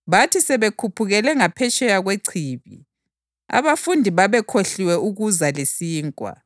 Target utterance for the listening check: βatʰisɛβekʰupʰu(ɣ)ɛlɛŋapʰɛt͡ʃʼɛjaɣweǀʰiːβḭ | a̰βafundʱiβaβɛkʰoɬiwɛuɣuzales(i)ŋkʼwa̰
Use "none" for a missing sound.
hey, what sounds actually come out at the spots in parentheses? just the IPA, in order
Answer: ɣ, iː

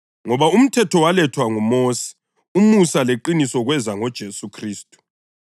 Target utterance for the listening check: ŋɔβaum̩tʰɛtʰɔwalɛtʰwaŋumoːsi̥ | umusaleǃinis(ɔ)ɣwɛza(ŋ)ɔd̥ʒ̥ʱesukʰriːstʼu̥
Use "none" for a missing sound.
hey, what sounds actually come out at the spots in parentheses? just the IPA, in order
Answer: ɔ, ŋ

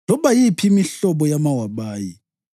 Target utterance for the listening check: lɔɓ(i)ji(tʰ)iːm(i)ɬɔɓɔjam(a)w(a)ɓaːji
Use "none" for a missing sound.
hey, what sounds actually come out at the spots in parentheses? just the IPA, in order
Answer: a, pʰ, i, a, a

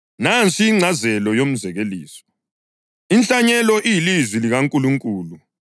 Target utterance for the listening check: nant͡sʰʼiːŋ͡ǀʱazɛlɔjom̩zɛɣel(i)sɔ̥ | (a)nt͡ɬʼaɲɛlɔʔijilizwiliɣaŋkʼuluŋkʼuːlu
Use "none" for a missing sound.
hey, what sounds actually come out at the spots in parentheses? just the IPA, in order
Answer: iː, i

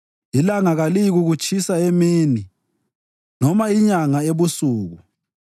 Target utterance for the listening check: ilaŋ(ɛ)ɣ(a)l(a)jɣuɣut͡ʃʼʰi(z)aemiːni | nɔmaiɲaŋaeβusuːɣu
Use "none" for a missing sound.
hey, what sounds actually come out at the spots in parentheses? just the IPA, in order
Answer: a, a, i, s

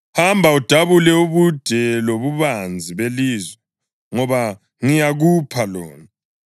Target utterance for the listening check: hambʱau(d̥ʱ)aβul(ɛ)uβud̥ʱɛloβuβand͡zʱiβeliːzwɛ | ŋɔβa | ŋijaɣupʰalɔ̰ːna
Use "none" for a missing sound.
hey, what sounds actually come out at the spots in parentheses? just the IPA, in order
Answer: d̥ʱ, ɛ

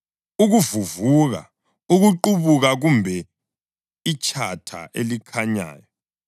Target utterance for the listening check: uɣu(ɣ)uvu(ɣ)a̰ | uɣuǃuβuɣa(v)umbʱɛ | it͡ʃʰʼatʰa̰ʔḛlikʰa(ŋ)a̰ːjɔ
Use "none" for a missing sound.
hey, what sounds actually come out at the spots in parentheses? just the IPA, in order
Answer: v, ɣ, ɣ, ɲ

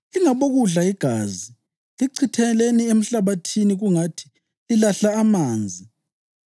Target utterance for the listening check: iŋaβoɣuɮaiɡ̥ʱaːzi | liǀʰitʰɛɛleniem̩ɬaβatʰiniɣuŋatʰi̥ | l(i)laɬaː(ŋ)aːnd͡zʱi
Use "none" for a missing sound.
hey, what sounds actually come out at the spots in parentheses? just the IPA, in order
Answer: i, m

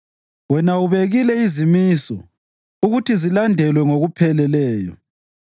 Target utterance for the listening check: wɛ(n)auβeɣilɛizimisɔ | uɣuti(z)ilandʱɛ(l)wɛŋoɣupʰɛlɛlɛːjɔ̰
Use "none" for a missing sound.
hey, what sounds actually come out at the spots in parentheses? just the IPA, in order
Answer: n, z, l

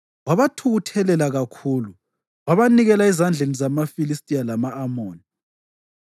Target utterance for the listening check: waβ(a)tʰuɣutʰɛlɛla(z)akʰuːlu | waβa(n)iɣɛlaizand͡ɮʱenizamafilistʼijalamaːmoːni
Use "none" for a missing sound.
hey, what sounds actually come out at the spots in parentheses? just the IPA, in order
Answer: a, ɣ, n

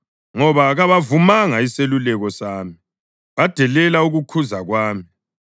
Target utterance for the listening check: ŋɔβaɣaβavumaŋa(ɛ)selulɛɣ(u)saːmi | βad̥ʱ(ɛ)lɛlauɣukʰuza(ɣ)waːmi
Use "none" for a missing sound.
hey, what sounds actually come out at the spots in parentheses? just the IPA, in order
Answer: i, ɔ, ɛ, ɣ

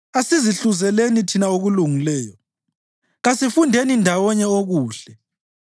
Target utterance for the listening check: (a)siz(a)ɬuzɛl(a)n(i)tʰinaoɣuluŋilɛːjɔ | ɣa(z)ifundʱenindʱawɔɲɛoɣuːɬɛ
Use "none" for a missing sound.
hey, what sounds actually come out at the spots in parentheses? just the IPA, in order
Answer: a, i, e, i, s

